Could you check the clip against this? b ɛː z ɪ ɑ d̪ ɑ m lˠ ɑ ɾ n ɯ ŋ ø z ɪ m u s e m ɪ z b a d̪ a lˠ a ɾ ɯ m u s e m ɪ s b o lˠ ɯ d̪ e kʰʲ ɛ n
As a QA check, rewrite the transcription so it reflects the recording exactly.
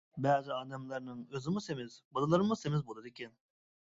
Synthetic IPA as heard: b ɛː z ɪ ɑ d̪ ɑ m lˠ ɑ ɾ n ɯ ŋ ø z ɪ m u s e m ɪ z b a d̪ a lˠ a ɾ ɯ m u s e m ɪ z b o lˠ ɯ d̪ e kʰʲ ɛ n

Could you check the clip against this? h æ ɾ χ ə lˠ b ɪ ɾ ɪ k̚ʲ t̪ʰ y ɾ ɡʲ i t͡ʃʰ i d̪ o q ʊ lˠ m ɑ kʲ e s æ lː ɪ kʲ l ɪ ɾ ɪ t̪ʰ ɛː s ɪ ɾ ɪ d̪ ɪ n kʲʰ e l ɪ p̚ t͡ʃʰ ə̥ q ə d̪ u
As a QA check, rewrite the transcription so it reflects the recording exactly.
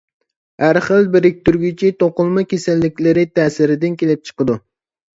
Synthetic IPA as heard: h æ ɾ χ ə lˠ b ɪ ɾ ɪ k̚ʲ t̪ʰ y ɾ ɡʲ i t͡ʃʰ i t̪ o q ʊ lˠ m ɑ kʲ e s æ lː ɪ kʲ l ɪ ɾ ɪ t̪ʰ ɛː s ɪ ɾ ɪ d̪ ɪ n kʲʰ e l ɪ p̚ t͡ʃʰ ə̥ q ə d̪ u

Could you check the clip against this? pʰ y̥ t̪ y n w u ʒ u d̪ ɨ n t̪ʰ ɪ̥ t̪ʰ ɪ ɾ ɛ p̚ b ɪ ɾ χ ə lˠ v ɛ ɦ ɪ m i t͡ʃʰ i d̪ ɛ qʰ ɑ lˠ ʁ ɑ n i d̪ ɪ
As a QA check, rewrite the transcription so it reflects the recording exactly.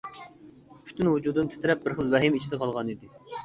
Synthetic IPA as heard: pʰ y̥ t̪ y n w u d͡ʒ u d̪ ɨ n t̪ʰ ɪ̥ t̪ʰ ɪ ɾ ɛ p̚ b ɪ ɾ χ ə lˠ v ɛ ɦ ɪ m i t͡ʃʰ i d̪ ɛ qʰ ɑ lˠ ʁ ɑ n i d̪ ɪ

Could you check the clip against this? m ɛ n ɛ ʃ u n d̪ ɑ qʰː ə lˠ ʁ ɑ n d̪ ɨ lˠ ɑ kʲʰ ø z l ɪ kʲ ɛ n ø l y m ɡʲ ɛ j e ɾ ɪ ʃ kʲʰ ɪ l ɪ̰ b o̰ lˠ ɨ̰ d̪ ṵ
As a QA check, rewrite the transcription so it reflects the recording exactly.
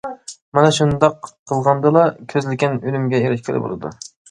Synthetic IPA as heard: m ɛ n ɛ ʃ u n d̪ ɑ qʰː ə lˠ ʁ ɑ n d̪ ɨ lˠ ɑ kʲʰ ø z l ɪ kʲ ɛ n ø l y m ɡʲ ɛ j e ɾ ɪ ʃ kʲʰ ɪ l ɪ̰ b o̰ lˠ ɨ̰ d̪ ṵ

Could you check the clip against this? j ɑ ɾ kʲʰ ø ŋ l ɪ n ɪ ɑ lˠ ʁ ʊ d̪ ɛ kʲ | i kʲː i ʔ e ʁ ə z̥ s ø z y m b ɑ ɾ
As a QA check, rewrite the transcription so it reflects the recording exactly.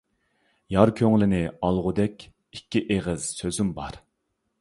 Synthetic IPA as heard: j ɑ ɾ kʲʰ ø ŋ l ɪ n ɪ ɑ lˠ ʁ ʊ d̪ ɛ kʲ | i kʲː i ʔ e ʁ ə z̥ s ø z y m b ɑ ɾ

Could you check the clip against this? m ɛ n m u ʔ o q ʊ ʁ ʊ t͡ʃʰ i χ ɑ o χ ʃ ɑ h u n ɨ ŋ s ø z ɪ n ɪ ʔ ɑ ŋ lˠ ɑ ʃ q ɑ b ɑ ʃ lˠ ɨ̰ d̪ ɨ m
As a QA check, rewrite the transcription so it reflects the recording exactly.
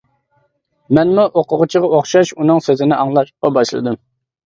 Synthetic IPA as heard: m ɛ n m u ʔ o q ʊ ʁ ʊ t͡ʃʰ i ʁ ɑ o χ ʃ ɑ ʃ u n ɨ ŋ s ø z ɪ n ɪ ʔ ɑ ŋ lˠ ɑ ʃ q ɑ b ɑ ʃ lˠ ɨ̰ d̪ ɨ m

